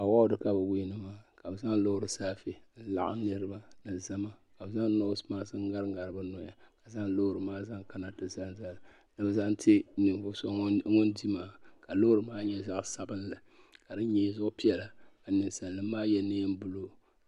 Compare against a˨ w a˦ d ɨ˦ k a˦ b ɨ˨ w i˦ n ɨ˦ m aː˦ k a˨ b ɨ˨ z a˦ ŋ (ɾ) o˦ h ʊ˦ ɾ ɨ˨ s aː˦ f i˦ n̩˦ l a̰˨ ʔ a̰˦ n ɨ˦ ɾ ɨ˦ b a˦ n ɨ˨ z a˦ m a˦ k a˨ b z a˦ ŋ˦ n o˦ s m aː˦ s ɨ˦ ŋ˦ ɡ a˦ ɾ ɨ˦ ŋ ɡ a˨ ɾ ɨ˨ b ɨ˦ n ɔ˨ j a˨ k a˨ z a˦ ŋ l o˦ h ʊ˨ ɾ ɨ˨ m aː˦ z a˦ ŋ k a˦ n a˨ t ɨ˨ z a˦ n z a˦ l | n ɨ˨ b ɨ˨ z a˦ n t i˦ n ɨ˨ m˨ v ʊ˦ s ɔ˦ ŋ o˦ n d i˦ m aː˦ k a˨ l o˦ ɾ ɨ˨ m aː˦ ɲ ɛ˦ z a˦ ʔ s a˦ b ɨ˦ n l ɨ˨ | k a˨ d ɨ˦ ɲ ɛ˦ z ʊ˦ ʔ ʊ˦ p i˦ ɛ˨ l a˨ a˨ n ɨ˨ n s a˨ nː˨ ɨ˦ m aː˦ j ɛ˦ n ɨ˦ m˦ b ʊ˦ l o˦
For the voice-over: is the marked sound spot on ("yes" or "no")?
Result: no